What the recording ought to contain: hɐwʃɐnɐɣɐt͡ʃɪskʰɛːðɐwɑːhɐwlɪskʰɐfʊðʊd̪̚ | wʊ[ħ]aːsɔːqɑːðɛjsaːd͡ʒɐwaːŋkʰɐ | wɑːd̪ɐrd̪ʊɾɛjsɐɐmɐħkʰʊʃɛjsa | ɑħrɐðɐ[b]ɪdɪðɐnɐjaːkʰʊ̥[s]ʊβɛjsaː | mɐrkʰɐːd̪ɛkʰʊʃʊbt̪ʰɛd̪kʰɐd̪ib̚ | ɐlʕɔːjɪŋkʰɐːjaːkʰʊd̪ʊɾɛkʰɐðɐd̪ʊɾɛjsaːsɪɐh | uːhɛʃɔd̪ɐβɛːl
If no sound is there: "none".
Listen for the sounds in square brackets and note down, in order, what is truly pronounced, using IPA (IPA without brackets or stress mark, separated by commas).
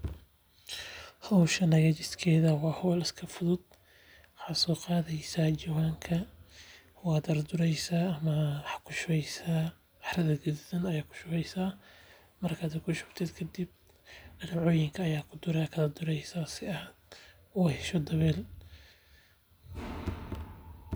ħ, ɡ, ʃ